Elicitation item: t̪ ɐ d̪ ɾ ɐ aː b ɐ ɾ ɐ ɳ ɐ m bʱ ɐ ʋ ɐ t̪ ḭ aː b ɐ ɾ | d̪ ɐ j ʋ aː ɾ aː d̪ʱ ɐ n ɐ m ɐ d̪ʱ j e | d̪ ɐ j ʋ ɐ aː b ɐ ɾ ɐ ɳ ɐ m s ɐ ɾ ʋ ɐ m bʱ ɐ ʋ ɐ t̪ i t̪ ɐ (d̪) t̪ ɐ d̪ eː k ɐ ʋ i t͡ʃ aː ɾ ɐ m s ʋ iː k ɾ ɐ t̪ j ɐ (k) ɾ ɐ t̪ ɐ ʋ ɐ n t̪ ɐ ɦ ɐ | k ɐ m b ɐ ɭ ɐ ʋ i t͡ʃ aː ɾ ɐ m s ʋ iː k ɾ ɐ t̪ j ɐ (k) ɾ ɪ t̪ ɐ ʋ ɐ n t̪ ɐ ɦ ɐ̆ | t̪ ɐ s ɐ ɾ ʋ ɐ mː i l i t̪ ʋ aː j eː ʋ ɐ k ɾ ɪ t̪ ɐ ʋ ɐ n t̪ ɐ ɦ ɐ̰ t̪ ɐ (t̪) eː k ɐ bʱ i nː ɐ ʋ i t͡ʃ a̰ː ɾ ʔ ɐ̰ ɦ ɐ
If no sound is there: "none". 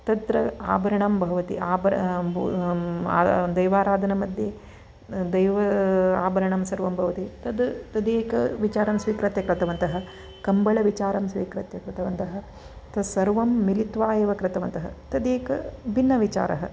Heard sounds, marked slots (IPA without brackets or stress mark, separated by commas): d̪, k, k, d̪